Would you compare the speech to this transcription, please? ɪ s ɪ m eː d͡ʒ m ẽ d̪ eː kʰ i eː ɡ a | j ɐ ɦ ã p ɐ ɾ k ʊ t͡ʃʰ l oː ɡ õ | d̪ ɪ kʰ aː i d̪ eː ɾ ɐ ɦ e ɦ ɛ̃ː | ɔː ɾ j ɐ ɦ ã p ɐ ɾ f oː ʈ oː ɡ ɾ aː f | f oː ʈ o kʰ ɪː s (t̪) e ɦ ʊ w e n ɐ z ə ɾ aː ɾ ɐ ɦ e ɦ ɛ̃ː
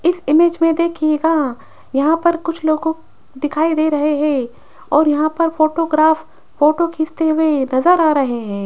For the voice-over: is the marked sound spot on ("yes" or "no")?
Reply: yes